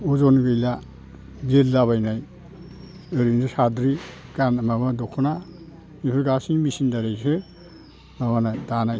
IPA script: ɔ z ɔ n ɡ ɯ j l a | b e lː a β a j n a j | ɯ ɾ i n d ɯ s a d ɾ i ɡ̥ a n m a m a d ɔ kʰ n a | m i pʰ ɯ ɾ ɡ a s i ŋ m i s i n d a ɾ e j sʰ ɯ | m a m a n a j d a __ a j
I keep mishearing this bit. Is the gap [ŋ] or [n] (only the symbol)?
n